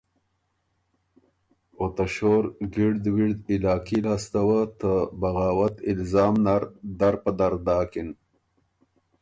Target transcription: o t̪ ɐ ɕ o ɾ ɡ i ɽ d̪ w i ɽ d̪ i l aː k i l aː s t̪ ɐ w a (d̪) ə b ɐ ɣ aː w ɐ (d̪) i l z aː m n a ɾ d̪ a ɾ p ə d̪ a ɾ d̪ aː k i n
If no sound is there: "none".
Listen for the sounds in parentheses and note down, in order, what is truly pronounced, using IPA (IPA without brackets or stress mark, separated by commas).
t̪, t̪